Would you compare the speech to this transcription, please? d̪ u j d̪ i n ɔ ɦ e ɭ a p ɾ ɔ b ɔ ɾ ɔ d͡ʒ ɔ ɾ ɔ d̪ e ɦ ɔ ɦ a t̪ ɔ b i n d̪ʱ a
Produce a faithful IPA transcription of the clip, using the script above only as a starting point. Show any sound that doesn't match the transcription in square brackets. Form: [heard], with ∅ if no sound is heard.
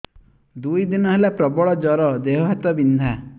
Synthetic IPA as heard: d̪ u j d̪ i n ɔ ɦ e [l] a p ɾ ɔ b ɔ [ɭ] ɔ d͡ʒ ɔ ɾ ɔ d̪ e ɦ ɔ ɦ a t̪ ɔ b i n d̪ʱ a